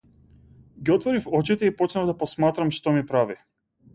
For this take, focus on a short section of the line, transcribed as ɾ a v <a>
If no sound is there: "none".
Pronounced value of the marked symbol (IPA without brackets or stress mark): i